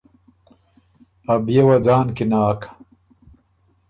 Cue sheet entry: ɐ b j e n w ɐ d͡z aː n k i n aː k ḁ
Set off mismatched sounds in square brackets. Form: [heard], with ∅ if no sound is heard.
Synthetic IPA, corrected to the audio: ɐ b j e [∅] w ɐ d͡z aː n k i n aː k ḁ